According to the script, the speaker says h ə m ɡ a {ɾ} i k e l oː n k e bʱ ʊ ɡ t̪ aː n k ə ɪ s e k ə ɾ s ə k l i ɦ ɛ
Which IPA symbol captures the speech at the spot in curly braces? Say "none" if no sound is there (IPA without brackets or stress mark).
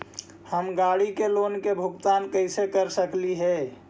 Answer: ɽ